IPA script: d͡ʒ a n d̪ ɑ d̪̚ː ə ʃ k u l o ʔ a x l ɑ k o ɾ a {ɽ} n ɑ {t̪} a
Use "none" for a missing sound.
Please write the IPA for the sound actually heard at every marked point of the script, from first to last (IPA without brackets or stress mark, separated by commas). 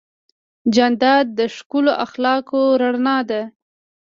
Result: ɽ, d̪